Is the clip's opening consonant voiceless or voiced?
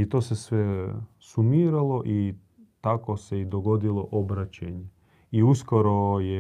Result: voiceless